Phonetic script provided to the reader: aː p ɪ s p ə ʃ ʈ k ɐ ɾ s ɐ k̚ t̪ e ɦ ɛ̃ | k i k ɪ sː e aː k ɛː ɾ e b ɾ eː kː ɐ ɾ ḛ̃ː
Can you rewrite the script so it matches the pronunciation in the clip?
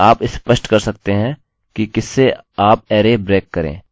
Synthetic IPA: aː p ɪ s p ə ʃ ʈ k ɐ ɾ s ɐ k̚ t̪ e ɦ ɛ̃ | k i k ɪ sː e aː p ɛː ɾ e b ɾ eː kː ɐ ɾ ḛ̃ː